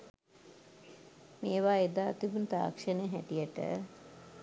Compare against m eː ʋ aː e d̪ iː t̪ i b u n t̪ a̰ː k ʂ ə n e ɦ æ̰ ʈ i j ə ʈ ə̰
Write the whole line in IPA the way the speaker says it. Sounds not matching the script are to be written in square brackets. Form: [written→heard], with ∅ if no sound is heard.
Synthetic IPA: m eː ʋ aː e d̪ [iː→aː] t̪ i b u n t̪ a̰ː k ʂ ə n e ɦ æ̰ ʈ i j ə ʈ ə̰